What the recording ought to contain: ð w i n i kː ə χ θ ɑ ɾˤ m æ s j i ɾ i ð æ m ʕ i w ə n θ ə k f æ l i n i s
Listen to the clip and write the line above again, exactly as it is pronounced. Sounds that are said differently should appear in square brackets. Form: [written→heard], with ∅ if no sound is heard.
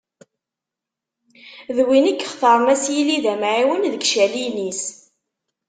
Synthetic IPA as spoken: ð w i n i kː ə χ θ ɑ ɾˤ m æ s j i [ɾ→l] i ð æ m ʕ i w ə n [θ→ð] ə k [f→ʃ] æ l i n i s